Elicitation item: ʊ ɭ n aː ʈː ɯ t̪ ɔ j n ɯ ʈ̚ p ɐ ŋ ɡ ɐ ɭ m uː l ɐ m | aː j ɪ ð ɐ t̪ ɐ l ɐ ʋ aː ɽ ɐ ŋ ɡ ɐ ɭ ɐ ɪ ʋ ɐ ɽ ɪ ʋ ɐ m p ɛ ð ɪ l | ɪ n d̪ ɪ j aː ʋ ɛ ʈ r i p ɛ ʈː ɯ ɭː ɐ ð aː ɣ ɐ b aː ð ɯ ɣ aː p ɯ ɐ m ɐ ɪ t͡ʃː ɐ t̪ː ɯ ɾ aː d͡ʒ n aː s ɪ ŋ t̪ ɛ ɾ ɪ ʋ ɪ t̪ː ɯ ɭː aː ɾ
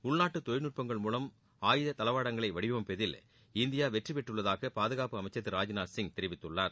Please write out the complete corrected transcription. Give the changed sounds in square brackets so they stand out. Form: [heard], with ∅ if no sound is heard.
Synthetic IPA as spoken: ʊ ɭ n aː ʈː ɯ t̪ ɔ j n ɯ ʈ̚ p ɐ ŋ ɡ ɐ ɭ m uː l ɐ m | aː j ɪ ð ɐ t̪ ɐ l ɐ ʋ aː ɽ ɐ ŋ ɡ ɐ ɭ ɐ ɪ ʋ ɐ ɽ ɪ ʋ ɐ m p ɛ ð ɪ l | ɪ n d̪ ɪ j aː ʋ ɛ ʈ r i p ɛ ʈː ɯ ɭː ɐ ð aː ɣ ɐ [p] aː ð ɯ ɣ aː p ɯ ɐ m ɐ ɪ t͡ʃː ɐ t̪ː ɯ ɾ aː d͡ʒ n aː s ɪ ŋ t̪ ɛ ɾ ɪ ʋ ɪ t̪ː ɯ ɭː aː ɾ